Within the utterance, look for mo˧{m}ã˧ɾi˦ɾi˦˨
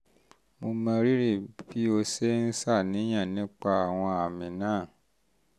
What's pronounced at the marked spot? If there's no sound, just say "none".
m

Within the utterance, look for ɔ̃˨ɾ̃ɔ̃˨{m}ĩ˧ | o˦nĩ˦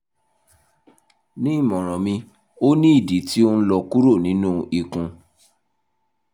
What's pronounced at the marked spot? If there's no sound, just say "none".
m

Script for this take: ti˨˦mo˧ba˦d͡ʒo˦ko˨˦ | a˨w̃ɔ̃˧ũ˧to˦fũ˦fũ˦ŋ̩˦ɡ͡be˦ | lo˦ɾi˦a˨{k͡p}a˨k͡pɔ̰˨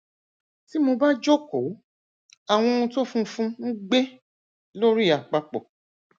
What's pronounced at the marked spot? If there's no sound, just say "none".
k͡p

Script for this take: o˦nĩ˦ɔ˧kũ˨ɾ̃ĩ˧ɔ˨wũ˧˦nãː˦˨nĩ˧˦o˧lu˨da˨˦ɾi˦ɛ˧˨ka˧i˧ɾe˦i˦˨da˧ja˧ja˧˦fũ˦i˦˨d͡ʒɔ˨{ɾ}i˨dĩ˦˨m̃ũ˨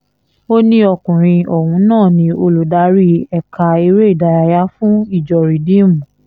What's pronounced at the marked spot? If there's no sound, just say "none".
ɾ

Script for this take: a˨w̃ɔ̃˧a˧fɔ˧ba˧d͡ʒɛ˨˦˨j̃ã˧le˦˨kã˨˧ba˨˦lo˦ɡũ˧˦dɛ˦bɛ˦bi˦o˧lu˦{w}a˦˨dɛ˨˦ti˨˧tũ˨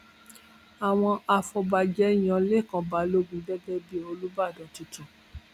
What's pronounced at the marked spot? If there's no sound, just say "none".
b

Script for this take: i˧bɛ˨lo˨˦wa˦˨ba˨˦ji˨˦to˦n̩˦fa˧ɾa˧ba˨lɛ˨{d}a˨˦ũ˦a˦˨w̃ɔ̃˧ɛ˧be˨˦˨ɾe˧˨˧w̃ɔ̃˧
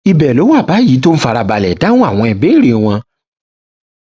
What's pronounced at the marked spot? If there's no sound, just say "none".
d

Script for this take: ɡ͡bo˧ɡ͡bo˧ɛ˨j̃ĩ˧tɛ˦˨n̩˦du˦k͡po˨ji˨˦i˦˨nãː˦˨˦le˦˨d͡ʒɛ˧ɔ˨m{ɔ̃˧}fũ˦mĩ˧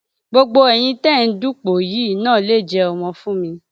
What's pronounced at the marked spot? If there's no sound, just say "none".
ɔ̃˧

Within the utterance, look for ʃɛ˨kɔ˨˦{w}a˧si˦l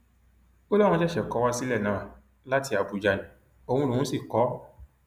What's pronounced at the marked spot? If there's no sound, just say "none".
w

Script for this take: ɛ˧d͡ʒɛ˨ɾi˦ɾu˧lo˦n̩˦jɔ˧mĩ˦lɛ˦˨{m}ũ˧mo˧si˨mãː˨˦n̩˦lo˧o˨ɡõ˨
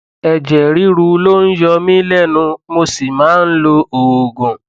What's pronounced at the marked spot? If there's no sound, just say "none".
n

